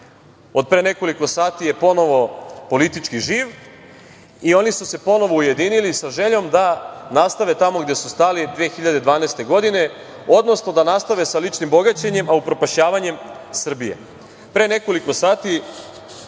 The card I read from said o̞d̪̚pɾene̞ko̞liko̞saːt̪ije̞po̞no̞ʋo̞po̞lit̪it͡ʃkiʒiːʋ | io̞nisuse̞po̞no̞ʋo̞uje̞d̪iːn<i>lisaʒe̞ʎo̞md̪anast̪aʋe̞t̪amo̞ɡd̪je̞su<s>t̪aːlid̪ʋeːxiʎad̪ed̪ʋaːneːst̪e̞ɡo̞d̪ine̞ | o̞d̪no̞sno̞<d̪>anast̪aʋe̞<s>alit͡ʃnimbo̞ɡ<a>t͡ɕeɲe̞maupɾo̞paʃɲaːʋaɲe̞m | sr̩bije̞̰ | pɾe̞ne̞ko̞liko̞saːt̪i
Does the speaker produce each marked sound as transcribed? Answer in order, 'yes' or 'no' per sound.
yes, yes, yes, yes, yes

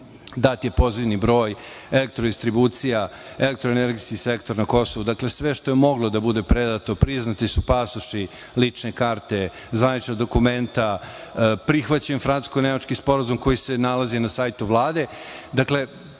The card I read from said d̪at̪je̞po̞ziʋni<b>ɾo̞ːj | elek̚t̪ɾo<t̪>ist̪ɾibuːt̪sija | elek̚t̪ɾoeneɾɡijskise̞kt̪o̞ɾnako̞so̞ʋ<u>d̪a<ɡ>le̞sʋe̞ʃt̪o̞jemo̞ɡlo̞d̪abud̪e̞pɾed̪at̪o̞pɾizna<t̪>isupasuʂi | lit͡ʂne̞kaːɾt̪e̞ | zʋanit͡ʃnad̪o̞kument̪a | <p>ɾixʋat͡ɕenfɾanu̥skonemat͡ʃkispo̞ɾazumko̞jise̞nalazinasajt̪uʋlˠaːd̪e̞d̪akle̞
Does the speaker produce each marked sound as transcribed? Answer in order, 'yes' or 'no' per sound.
yes, no, yes, no, yes, yes

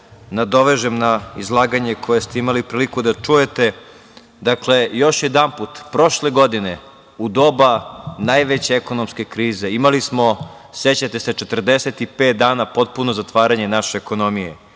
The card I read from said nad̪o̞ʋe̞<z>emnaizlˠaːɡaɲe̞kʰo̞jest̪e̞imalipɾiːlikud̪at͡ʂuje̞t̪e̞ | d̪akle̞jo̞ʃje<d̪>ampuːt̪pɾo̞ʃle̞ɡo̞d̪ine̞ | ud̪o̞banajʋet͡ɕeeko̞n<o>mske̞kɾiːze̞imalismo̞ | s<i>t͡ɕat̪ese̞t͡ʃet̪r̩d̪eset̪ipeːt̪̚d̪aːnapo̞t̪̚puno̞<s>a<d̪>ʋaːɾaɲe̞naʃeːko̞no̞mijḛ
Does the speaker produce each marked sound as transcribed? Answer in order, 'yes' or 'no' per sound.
no, yes, yes, no, no, no

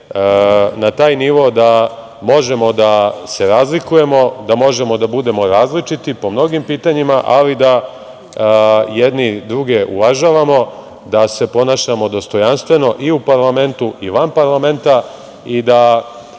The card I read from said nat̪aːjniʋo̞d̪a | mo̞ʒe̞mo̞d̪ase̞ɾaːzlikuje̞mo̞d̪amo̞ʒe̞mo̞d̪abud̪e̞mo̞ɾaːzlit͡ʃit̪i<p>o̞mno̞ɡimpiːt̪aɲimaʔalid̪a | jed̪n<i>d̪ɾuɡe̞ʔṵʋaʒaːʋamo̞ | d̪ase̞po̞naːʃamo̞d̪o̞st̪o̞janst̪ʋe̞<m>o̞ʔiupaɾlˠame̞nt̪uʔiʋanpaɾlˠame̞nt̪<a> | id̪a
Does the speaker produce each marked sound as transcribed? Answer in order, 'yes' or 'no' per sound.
yes, yes, no, yes

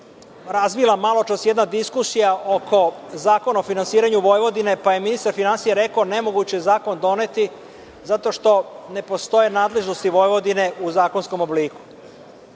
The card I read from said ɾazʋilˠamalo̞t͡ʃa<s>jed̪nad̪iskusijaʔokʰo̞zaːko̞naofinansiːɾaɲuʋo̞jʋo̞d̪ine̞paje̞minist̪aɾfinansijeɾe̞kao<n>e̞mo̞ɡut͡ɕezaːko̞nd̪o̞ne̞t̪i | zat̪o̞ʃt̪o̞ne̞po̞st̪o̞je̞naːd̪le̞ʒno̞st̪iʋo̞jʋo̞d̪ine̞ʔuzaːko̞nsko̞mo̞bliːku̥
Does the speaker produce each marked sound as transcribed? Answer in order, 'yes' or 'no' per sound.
yes, yes

